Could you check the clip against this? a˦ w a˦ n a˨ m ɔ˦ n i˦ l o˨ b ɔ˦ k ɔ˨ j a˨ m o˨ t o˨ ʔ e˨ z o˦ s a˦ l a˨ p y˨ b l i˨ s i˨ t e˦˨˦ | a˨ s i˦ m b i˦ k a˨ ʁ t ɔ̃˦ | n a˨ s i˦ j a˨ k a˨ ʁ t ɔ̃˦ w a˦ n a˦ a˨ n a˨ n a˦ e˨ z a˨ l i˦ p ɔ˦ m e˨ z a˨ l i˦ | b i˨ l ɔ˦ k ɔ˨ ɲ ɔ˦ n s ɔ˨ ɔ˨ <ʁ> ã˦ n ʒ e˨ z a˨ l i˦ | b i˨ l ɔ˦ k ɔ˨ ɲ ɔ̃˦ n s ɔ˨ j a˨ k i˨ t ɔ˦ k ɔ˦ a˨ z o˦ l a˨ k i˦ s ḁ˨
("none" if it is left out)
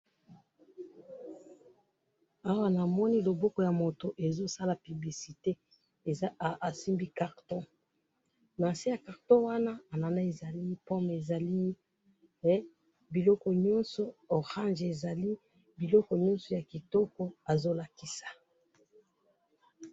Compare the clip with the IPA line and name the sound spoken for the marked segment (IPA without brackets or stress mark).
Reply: ʁ